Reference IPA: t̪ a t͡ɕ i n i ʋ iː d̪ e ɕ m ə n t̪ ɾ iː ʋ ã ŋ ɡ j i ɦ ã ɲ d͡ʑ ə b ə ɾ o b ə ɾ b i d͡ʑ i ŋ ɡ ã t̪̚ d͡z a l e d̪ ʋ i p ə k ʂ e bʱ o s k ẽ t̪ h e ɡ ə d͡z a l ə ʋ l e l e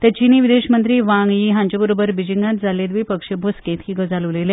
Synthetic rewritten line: t̪ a t͡ɕ i n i ʋ i d̪ e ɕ m ə n t̪ ɾ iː ʋ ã ŋ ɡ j i ɦ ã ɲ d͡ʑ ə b ə ɾ o b ə ɾ b i d͡ʑ i ŋ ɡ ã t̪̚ d͡z a l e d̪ ʋ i p ə k ʂ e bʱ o s k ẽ t̪ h i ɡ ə d͡z a l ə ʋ l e l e